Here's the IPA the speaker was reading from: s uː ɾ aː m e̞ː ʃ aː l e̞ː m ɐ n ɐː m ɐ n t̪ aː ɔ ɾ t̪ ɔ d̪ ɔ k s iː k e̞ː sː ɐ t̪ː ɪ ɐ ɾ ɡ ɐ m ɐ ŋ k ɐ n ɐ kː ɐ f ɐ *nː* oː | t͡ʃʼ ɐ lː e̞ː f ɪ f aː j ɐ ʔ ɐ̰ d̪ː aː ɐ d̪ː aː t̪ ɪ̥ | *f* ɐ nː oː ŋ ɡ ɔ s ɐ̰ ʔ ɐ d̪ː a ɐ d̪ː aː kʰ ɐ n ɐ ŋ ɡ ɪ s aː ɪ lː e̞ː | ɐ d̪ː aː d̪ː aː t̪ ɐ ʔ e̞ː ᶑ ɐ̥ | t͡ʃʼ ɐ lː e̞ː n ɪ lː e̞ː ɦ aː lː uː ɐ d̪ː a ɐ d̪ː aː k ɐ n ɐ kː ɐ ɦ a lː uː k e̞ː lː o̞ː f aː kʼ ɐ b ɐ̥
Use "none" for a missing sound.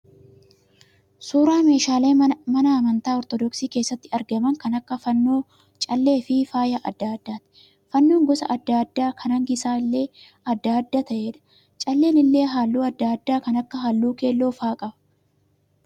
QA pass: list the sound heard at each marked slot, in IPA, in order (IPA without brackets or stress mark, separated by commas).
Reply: nː, f